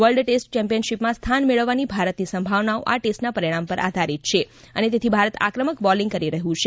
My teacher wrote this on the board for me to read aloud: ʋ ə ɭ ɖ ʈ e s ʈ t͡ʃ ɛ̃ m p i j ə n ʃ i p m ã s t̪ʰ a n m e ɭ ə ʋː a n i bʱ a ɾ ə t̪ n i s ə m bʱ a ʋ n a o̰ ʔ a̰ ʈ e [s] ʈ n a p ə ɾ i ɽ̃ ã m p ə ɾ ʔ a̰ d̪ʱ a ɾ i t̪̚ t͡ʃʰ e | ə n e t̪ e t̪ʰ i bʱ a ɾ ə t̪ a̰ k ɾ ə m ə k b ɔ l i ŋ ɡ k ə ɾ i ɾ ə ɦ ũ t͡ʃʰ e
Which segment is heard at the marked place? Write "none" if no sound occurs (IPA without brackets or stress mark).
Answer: s